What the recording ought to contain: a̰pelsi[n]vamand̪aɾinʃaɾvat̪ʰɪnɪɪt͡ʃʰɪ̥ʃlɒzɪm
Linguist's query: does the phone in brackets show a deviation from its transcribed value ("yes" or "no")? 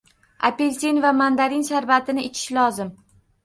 no